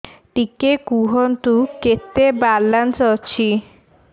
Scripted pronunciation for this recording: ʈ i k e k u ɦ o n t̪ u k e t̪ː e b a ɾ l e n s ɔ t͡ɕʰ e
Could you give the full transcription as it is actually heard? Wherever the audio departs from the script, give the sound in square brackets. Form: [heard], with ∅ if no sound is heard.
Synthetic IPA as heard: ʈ i k e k u ɦ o n t̪ u k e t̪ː e b a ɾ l [a] n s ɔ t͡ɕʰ [i]

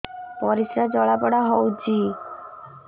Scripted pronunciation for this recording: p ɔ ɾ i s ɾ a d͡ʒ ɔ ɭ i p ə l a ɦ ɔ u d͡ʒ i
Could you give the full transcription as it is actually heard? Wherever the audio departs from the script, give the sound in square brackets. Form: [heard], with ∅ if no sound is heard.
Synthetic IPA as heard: p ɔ ɾ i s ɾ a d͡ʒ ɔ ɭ [a] p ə [ɽ] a ɦ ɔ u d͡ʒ i

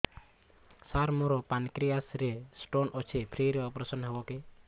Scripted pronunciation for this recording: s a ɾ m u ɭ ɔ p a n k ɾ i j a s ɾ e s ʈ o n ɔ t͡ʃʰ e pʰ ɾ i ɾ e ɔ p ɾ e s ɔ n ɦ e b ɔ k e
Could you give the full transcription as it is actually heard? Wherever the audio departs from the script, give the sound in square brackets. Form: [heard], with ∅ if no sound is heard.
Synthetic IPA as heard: s a ɾ m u [ɾ] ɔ p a n k ɾ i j a s ɾ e s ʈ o n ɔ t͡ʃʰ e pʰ ɾ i ɾ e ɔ p ɾ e s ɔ n ɦ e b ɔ k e

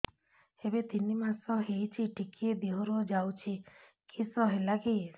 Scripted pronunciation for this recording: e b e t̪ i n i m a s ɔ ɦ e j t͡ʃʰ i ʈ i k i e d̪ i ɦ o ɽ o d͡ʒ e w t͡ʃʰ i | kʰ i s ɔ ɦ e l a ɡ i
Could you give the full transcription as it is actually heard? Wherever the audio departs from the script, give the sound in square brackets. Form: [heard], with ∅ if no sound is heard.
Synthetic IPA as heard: e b e t̪ i n i m a s ɔ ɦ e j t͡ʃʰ i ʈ i k i e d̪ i ɦ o [ɾ] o d͡ʒ [a] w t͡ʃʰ i | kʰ i s ɔ ɦ e l a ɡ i

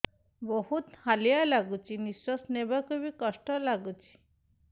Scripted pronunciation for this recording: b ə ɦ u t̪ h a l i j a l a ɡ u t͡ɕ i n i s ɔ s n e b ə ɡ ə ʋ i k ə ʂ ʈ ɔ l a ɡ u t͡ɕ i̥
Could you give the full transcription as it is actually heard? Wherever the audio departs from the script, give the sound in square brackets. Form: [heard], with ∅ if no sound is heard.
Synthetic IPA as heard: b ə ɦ u t̪ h a l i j a l a ɡ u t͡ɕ i n i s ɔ s n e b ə [k] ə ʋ i k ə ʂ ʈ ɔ l a ɡ u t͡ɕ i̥

